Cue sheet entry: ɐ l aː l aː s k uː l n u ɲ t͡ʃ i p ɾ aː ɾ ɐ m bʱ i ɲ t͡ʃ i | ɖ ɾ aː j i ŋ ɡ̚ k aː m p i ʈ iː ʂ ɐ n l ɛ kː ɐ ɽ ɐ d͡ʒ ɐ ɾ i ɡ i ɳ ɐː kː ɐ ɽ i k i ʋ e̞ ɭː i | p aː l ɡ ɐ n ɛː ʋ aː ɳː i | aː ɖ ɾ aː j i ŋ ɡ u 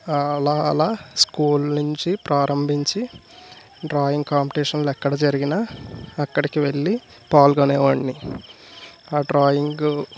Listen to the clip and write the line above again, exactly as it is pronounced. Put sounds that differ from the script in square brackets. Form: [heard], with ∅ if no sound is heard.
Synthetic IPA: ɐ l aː l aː s k uː l n u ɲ t͡ʃ i p ɾ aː ɾ ɐ m bʱ i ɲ t͡ʃ i | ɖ ɾ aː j i ŋ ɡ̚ k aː m p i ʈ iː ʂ ɐ n l ɛ kː ɐ ɽ ɐ d͡ʒ ɐ ɾ i ɡ i [n] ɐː kː ɐ ɽ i k i ʋ e̞ ɭː i | p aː l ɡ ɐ n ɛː ʋ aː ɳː i | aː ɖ ɾ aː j i ŋ ɡ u

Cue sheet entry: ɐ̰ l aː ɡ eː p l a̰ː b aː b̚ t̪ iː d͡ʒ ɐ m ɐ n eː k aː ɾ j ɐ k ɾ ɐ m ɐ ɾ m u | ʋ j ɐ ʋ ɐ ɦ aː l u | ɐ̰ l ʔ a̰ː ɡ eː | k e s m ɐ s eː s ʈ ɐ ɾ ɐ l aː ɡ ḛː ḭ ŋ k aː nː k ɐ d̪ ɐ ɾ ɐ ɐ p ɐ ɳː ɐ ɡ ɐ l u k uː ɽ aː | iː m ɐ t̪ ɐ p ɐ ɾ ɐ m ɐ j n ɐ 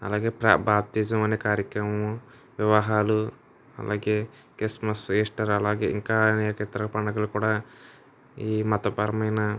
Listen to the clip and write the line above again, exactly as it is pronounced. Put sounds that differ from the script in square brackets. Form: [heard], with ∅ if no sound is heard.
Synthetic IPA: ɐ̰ l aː ɡ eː p [ɾ] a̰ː b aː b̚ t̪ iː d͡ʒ ɐ m ɐ n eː k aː ɾ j ɐ k ɾ ɐ m ɐ [∅] m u | ʋ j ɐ ʋ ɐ ɦ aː l u | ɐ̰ l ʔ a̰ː ɡ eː | k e s m ɐ s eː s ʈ ɐ ɾ ɐ l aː ɡ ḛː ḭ ŋ k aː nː k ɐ [t̪] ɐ ɾ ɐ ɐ p ɐ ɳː ɐ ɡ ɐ l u k uː ɽ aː | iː m ɐ t̪ ɐ p ɐ ɾ ɐ m ɐ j n ɐ

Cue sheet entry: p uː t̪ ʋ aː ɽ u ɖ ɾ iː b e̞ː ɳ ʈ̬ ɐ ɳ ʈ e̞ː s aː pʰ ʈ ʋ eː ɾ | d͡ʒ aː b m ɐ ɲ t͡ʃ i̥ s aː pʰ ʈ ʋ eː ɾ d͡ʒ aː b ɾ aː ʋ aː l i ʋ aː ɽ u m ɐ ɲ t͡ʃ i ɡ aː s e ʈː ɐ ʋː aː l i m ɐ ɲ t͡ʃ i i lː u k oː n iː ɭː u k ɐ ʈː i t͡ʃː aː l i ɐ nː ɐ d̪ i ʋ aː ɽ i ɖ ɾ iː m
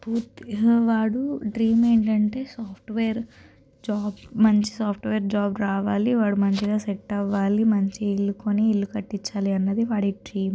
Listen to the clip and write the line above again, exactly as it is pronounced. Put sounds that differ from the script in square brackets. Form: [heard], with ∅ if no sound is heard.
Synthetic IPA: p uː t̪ ʋ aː ɽ u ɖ ɾ iː [m] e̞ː ɳ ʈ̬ ɐ ɳ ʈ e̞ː s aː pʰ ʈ ʋ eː ɾ | d͡ʒ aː b m ɐ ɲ t͡ʃ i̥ s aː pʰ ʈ ʋ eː ɾ d͡ʒ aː b ɾ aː ʋ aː l i ʋ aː ɽ u m ɐ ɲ t͡ʃ i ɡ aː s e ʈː ɐ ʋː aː l i m ɐ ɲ t͡ʃ i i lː u k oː n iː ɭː u k ɐ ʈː i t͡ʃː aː l i ɐ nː ɐ d̪ i ʋ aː ɽ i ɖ ɾ iː m

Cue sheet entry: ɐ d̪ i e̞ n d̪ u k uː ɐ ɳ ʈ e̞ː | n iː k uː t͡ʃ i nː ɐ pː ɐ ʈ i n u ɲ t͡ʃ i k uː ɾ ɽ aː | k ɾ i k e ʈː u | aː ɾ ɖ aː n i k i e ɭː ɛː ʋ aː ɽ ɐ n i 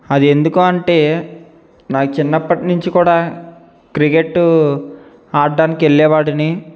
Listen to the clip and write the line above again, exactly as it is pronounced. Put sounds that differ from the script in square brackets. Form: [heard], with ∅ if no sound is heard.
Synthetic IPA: ɐ d̪ i e̞ n d̪ u k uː ɐ ɳ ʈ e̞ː | n [aː] k [u] t͡ʃ i nː ɐ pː ɐ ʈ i n u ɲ t͡ʃ i k uː [∅] ɽ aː | k ɾ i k e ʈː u | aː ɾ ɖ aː n i k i e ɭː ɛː ʋ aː ɽ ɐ n i

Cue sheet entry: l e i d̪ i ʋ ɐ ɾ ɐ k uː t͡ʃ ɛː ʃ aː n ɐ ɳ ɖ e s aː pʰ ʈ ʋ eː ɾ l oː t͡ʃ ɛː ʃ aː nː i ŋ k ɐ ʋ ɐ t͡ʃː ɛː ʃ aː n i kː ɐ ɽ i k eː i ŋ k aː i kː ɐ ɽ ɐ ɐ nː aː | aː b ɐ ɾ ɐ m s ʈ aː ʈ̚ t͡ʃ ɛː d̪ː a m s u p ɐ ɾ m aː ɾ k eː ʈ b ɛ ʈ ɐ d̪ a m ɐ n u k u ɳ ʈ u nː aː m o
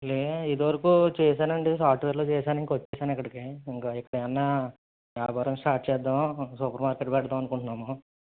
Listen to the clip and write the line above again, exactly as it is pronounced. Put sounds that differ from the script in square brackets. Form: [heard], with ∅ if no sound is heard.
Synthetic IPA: l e i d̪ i ʋ ɐ ɾ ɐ k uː t͡ʃ ɛː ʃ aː n ɐ ɳ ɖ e s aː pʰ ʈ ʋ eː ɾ l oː t͡ʃ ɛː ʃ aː [n] i ŋ k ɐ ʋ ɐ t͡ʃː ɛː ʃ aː n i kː ɐ ɽ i k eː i ŋ k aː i kː ɐ ɽ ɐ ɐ nː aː | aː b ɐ ɾ ɐ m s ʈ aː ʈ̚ t͡ʃ ɛː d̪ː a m s u p ɐ ɾ m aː ɾ k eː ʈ b ɛ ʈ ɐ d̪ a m ɐ n u k u ɳ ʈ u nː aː m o

